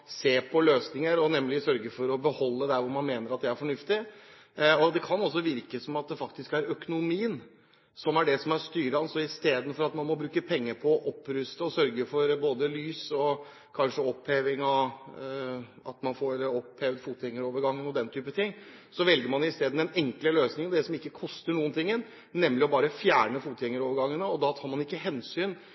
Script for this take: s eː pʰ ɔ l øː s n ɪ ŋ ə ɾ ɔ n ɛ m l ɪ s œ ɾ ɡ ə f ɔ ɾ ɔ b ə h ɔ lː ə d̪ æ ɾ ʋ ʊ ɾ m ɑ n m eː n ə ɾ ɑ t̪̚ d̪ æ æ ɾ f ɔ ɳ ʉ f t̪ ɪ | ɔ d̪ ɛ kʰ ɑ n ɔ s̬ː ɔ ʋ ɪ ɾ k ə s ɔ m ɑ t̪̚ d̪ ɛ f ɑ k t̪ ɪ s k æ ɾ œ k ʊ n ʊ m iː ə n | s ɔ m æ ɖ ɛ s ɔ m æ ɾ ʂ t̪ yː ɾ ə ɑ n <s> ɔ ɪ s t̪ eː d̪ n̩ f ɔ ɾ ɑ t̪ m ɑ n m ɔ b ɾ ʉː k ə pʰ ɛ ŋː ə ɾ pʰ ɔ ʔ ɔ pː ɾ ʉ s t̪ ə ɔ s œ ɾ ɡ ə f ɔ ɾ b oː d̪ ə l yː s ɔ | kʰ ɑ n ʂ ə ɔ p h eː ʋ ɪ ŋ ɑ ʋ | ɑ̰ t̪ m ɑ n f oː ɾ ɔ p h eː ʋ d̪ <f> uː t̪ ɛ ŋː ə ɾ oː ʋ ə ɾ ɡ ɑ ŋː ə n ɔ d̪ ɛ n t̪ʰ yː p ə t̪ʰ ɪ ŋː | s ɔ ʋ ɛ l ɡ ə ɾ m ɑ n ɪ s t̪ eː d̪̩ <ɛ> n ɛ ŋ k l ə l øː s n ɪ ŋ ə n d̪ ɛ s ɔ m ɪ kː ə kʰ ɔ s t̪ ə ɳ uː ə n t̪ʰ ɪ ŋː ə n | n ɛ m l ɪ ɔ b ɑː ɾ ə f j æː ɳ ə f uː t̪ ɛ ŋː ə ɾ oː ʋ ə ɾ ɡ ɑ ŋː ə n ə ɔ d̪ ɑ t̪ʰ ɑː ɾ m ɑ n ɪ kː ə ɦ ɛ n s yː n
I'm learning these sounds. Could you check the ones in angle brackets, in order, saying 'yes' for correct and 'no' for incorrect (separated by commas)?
yes, yes, yes